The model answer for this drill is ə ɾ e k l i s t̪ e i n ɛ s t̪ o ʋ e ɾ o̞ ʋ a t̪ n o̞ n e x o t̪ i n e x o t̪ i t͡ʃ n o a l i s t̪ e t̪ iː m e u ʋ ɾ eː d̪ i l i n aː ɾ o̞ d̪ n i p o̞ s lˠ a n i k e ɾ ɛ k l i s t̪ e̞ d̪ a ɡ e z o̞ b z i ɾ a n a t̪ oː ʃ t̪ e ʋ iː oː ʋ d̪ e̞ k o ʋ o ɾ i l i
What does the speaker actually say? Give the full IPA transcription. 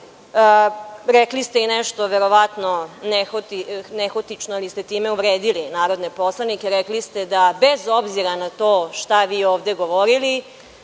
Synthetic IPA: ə ɾ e k l i s t̪ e i n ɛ ʃ t̪ o ʋ e ɾ o̞ ʋ a t̪ n o̞ n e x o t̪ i n e x o t̪ i t͡ʃ n o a l i s t̪ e t̪ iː m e u ʋ ɾ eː d̪ i l i n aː ɾ o̞ d̪ n e p o̞ s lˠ a n i k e ɾ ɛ k l i s t̪ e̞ d̪ a b e z o̞ b z i ɾ a n a t̪ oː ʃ t̪ a ʋ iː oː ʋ d̪ e̞ ɡ o ʋ o ɾ i l i